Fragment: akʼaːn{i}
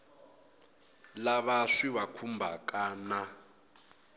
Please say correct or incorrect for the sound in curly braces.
incorrect